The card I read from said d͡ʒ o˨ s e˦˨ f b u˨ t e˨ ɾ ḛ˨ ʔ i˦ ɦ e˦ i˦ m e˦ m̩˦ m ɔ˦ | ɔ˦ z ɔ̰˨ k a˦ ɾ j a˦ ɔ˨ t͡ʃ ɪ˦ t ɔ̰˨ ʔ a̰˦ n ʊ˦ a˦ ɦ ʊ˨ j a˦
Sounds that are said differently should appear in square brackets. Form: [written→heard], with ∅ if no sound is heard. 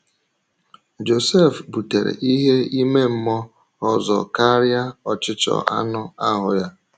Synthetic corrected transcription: d͡ʒ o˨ s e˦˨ f b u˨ t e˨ ɾ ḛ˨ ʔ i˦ ɦ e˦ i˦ m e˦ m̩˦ m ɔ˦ | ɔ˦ z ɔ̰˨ k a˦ ɾ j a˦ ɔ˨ t͡ʃ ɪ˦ [t→t͡ʃ] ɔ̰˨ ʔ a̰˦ n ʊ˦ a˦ ɦ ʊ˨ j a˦